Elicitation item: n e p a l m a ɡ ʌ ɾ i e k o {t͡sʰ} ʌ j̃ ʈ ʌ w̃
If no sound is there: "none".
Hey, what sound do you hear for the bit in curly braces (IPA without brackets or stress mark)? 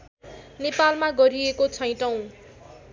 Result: t͡sʰ